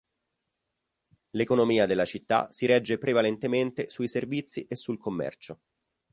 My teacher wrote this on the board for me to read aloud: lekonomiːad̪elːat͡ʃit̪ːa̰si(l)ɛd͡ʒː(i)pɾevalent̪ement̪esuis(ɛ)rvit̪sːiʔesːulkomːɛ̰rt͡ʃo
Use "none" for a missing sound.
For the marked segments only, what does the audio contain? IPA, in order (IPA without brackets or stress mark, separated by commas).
ɾ, e, e